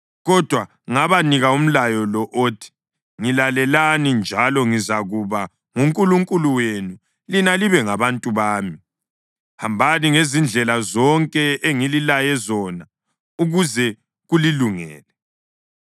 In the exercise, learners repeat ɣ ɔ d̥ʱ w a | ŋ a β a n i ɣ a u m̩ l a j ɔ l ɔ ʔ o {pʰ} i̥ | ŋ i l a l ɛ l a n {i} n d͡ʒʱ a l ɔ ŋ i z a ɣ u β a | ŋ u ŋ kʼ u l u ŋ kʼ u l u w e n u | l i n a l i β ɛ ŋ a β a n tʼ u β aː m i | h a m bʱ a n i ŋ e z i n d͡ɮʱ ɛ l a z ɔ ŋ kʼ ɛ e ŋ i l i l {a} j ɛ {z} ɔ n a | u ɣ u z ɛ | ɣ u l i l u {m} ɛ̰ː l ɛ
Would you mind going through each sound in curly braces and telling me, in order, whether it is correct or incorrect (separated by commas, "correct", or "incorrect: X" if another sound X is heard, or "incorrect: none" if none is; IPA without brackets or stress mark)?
incorrect: tʰ, correct, correct, correct, incorrect: ŋ